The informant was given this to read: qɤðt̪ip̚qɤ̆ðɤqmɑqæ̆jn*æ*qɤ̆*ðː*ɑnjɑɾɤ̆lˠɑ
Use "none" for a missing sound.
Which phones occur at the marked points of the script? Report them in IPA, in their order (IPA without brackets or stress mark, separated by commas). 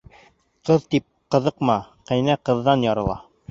æ, ðː